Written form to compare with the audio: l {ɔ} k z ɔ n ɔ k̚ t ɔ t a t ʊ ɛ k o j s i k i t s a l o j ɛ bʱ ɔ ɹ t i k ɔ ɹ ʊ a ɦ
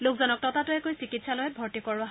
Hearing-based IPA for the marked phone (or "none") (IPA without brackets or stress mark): o